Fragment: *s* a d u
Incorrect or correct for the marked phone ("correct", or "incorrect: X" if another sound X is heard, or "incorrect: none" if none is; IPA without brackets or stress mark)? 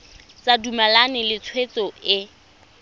incorrect: t͡s